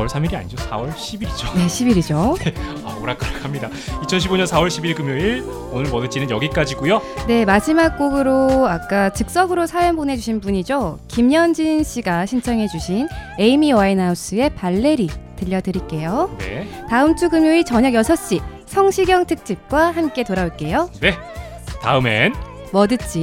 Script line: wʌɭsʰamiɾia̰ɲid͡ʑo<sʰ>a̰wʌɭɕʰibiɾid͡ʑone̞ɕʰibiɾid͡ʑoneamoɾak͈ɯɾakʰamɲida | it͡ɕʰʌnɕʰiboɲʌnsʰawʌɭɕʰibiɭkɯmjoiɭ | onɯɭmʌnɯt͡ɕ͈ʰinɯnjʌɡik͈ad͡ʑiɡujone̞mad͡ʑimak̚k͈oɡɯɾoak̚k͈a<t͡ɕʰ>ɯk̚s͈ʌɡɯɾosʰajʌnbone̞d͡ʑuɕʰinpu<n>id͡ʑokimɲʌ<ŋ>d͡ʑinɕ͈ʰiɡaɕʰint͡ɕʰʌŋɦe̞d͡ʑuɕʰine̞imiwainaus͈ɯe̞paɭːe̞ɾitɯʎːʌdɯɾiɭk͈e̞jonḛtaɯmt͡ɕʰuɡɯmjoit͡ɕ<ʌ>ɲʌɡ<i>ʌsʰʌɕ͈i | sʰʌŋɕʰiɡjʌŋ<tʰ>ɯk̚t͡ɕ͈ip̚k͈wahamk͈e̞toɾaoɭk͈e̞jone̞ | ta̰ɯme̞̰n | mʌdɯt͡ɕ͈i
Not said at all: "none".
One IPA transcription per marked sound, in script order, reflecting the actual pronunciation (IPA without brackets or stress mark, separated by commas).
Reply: sʰ, t͡ɕ, ɲ, n, ʌ, j, tʰ